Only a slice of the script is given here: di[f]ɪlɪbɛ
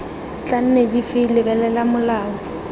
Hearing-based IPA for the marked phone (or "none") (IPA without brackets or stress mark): f